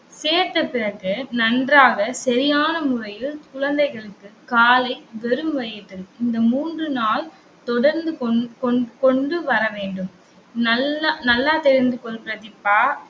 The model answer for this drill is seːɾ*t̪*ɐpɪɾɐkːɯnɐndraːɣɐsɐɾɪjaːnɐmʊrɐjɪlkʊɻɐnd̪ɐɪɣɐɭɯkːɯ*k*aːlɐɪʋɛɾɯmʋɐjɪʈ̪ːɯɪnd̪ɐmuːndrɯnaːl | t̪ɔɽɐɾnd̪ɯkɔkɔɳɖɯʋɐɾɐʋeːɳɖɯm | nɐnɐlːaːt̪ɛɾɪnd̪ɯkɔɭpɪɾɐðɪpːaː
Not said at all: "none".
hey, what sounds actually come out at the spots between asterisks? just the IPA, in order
t̪, k

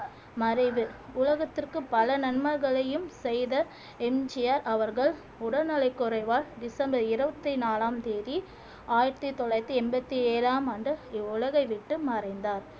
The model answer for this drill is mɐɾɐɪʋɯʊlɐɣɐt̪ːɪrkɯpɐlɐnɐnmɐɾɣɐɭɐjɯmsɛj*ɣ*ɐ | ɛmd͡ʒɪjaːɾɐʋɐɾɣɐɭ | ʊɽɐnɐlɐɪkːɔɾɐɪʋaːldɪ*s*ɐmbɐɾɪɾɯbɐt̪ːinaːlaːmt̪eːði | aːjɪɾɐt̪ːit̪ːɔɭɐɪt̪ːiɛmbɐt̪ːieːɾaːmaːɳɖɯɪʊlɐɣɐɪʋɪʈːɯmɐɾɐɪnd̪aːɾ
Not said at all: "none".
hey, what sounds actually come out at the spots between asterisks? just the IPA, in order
ð, s

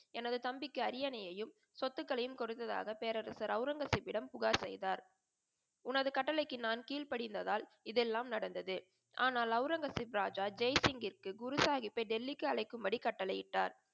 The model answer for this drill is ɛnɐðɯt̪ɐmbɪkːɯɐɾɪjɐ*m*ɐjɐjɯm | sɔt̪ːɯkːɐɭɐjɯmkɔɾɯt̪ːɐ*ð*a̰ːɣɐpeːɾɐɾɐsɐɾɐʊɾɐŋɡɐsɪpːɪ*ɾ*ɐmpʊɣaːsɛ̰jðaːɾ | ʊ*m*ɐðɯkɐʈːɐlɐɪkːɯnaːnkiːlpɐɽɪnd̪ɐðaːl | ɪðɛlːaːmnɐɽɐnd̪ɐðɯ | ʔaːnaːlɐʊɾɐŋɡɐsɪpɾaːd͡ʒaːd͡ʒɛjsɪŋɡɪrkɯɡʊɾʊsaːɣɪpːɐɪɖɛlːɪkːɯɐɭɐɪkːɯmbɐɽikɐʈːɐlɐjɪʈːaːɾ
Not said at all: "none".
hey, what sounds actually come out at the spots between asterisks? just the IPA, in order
n, ð, ɽ, n

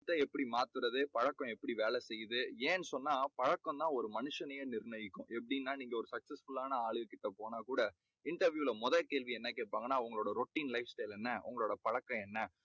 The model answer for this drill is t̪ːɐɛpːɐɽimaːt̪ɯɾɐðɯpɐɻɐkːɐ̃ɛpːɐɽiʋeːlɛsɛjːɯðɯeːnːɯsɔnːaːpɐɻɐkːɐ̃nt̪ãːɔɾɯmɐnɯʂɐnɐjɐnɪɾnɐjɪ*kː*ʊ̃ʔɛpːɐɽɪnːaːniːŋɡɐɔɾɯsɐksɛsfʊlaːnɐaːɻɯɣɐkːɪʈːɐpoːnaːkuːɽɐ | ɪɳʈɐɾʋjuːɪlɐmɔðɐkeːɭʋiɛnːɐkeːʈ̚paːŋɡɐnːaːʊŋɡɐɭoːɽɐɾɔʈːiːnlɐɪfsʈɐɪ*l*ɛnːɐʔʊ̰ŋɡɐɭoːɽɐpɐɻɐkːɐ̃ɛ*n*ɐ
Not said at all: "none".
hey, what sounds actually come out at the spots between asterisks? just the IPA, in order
kː, l, nː

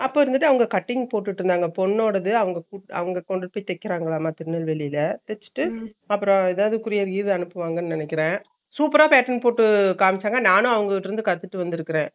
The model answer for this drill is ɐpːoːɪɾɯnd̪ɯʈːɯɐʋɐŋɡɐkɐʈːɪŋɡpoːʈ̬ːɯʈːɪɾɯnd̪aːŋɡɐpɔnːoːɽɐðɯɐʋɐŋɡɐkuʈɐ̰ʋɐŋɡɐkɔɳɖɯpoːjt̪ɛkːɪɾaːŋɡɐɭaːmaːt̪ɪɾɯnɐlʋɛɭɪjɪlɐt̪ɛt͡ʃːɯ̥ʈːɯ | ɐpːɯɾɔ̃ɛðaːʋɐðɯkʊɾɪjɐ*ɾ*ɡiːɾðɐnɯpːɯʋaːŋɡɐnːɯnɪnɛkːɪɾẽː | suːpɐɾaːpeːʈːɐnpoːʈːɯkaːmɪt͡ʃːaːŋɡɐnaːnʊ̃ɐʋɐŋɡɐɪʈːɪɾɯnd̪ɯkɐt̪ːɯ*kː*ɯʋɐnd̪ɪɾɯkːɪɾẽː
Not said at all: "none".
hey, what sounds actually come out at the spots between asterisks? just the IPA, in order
ɾ, ʈː

